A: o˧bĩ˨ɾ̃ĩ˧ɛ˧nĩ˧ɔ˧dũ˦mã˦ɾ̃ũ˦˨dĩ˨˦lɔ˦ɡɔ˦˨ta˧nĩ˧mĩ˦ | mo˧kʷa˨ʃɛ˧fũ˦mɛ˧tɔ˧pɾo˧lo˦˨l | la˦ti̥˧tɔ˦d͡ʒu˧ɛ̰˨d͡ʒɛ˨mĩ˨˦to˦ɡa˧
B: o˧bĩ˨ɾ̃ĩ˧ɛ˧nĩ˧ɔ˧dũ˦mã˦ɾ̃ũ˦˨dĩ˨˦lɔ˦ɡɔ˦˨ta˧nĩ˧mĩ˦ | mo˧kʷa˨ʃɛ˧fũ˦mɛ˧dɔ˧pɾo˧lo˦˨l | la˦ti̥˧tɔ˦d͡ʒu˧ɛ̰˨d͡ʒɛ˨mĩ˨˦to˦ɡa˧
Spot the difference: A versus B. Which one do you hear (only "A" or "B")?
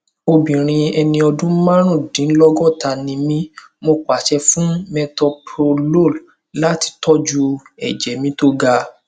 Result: A